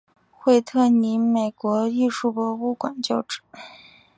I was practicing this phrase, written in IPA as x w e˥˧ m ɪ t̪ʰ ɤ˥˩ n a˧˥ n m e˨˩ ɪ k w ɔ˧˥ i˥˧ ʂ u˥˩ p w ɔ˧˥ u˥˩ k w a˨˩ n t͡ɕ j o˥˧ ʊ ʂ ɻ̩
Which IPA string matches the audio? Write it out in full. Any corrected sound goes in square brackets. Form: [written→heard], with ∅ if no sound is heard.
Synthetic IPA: x w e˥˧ [m→∅] ɪ t̪ʰ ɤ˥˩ n [a˧˥→i˧˥] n m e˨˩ ɪ k w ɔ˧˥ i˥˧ ʂ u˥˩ p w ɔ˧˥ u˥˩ k w a˨˩ n t͡ɕ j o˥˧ ʊ [ʂ→ʈ͡ʂ] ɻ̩